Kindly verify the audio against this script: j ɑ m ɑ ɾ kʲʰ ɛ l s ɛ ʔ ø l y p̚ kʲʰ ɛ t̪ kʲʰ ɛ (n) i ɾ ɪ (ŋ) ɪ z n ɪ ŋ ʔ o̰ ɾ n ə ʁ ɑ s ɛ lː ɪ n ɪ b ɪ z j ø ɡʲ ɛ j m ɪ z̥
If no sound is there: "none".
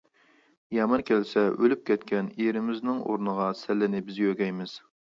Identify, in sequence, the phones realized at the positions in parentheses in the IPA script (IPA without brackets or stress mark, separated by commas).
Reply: n, m